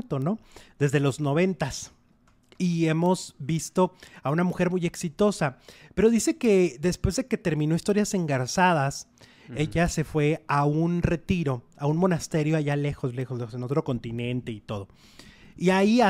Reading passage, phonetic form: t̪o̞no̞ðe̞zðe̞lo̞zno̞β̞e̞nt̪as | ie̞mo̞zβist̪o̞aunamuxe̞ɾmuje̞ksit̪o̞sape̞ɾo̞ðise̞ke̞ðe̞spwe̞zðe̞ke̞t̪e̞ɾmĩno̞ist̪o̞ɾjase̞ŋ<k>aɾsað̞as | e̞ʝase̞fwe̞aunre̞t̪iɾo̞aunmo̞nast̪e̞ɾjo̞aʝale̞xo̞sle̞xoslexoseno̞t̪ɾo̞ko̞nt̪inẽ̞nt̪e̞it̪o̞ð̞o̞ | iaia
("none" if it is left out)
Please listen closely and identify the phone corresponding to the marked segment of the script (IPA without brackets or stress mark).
ɡ